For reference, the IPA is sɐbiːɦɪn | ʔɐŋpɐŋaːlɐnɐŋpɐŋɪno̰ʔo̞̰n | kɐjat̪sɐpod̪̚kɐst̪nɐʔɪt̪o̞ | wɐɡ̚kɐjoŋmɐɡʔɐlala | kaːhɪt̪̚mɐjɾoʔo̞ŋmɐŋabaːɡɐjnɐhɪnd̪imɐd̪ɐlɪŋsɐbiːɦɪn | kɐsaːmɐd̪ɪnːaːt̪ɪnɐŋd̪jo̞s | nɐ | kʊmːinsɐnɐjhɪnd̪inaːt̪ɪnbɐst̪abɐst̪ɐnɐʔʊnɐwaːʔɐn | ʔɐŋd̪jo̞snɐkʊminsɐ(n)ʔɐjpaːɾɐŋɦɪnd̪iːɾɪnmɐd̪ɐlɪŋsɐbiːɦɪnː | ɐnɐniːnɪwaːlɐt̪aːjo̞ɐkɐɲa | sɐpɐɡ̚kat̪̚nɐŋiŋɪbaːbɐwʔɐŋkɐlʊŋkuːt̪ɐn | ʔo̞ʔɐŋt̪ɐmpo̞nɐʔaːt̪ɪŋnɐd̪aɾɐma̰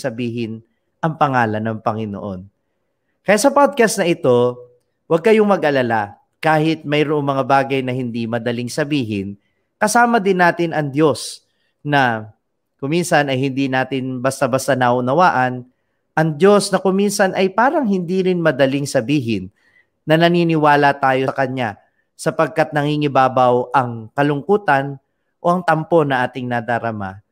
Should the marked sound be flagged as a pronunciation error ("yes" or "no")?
no